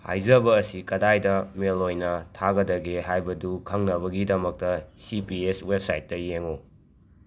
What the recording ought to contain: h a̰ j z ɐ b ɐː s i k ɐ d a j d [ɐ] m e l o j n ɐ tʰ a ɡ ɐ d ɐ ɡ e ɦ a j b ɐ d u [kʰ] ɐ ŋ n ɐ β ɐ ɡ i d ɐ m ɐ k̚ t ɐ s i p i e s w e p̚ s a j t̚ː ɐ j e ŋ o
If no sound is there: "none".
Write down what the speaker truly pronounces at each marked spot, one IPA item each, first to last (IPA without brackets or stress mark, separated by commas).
ɐ, kʰ